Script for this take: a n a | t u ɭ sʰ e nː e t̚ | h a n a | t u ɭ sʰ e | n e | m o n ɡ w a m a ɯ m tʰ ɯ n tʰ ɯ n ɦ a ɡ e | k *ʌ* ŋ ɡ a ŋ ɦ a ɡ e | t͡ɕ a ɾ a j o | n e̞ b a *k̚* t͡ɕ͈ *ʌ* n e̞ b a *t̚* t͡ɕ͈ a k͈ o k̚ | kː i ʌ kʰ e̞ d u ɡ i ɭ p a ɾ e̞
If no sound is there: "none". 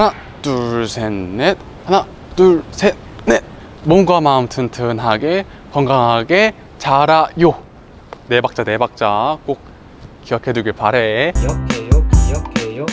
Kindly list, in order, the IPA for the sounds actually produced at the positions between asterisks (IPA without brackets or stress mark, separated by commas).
ʌ, k̚, a, k̚